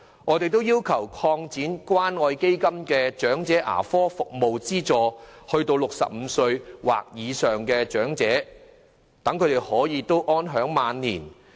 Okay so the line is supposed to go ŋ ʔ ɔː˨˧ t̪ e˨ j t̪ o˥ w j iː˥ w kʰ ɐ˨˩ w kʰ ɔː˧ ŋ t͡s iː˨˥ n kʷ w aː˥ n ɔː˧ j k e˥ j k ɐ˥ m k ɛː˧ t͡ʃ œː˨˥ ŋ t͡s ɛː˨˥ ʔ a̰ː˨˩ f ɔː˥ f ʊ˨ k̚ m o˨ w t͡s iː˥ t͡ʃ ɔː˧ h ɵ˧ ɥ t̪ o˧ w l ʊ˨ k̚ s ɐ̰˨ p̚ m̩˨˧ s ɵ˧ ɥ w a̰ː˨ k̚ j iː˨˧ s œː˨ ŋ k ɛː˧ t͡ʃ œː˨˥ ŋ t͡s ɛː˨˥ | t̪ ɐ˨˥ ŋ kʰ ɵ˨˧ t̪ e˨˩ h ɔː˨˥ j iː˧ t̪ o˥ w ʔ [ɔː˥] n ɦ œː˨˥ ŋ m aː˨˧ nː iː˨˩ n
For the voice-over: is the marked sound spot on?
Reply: yes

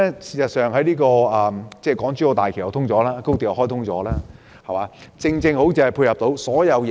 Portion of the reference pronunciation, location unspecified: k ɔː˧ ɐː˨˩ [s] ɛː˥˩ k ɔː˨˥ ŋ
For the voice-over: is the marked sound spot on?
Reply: no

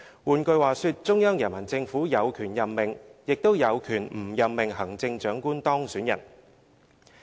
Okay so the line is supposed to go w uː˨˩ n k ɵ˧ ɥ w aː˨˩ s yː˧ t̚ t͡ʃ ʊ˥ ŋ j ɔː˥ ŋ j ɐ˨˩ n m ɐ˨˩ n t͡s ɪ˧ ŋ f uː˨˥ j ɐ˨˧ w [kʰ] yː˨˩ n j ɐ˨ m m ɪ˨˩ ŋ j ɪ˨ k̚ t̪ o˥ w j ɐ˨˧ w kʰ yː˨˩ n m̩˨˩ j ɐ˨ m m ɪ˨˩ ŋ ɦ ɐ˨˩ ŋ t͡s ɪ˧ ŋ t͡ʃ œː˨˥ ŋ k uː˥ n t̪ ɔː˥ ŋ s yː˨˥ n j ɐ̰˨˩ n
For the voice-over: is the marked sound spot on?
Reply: yes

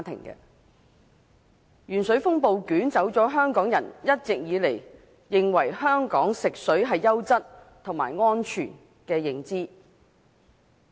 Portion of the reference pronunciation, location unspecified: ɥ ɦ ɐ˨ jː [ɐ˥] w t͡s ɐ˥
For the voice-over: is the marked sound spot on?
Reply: yes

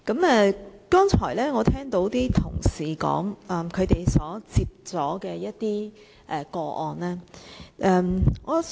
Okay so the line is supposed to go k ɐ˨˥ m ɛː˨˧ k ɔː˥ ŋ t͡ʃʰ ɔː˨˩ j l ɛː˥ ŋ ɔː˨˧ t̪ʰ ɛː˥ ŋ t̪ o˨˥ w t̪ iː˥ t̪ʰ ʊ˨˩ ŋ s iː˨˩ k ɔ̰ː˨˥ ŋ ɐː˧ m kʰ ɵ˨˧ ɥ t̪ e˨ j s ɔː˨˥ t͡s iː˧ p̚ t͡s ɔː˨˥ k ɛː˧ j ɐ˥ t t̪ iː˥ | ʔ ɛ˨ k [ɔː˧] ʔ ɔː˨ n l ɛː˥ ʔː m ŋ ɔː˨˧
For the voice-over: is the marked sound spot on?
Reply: yes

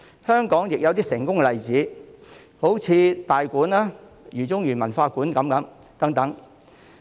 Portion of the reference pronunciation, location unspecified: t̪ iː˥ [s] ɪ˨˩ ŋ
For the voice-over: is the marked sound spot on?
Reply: yes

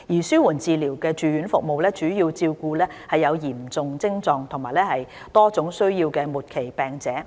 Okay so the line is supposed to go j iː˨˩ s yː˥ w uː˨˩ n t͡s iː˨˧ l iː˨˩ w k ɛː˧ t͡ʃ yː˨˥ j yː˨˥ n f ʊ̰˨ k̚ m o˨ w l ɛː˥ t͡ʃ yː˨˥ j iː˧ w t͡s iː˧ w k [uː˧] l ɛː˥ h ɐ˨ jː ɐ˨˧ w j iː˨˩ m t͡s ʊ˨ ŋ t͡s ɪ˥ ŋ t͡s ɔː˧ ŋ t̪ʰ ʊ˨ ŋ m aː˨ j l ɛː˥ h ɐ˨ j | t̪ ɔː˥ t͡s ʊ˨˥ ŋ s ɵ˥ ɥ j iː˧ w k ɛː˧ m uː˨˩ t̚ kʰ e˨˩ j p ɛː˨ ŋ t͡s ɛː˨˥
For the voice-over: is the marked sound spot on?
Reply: yes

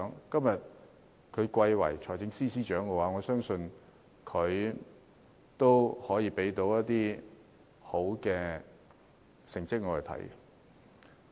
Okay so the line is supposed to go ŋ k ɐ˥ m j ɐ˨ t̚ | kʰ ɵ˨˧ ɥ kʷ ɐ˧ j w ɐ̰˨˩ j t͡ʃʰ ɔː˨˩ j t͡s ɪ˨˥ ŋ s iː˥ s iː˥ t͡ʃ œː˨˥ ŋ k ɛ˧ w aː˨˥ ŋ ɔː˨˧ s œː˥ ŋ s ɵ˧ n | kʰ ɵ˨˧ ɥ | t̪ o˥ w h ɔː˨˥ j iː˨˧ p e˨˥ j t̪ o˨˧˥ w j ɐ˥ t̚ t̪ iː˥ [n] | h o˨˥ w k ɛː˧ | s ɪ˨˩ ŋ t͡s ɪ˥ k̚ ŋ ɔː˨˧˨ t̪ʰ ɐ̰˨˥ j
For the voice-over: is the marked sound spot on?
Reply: no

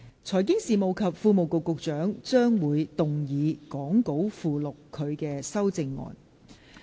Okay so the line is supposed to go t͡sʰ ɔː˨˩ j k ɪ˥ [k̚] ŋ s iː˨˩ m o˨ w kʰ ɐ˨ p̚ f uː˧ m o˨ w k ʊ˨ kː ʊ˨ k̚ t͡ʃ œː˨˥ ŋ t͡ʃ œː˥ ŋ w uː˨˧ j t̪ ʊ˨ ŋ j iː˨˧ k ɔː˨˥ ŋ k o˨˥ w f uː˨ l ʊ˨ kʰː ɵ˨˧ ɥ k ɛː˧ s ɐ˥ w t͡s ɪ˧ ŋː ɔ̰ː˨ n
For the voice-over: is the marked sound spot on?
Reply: no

